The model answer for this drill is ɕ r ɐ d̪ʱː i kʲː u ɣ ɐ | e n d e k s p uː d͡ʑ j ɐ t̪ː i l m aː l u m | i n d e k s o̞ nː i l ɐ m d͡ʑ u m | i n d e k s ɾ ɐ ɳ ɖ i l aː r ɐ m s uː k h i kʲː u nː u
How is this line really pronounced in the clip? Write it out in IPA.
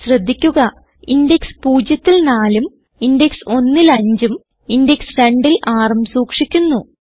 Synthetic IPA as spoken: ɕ r ɐ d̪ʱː i kʲː u ɣ ɐ | i n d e k s p uː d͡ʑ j ɐ t̪ː i l n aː l u m | i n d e k s o̞ nː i l ɐ ɲ d͡ʑ u m | i n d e k s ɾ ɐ ɳ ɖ i l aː r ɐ m s uː k ʂ i kʲː u nː u